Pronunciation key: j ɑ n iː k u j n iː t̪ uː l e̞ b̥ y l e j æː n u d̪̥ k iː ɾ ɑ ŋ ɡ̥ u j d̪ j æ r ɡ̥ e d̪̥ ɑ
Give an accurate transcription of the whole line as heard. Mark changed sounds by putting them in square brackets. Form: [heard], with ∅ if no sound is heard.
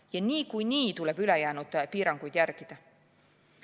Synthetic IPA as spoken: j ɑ n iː k u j n iː t̪ [u] l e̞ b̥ y l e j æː n u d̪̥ [p] iː ɾ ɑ ŋ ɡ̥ u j d̪ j æ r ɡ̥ [i] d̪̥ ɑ